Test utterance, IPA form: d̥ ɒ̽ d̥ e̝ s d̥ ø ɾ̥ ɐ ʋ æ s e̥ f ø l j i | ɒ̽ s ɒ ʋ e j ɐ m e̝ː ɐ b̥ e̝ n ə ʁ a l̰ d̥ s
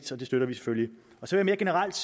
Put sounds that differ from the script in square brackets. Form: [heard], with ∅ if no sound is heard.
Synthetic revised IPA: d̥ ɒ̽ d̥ e̝ s d̥ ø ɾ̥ ɐ ʋ [i] s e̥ f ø l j i | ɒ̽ s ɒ ʋ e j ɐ m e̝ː ɐ [ɡ̥] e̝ n ə ʁ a l̰ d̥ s